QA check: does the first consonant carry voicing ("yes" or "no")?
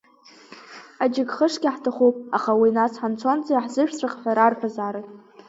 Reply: yes